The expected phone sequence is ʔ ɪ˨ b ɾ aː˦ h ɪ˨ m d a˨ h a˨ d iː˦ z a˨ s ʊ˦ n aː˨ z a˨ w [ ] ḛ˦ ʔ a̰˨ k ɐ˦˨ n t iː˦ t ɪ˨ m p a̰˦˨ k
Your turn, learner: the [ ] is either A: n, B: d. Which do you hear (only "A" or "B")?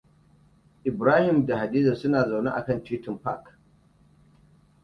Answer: A